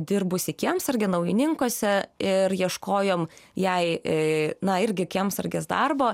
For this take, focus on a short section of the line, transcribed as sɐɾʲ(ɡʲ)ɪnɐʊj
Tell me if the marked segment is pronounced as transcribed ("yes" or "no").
yes